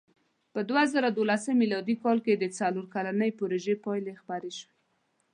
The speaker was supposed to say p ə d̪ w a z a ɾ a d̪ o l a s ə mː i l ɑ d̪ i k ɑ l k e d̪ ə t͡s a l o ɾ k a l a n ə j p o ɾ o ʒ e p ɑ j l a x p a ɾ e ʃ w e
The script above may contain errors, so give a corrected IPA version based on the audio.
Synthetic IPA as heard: p ə d̪ w a z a ɾ a d̪ o l a s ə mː i l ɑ d̪ i k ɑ l k e d̪ ə t͡s a l o ɾ k a l a n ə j p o ɾ o ʒ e p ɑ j l e x p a ɾ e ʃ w e